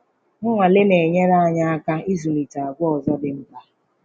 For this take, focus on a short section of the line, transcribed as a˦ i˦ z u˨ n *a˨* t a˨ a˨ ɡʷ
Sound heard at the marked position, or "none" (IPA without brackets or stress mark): i˨